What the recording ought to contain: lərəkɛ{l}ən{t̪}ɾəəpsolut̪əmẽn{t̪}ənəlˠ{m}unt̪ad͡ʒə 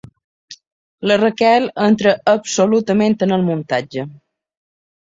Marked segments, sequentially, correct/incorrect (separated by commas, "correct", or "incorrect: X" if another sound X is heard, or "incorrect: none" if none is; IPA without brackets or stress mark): correct, correct, correct, correct